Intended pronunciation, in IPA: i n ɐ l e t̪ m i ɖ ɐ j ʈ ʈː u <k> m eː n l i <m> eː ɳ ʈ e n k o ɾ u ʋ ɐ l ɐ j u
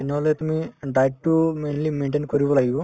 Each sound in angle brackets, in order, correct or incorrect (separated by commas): incorrect, correct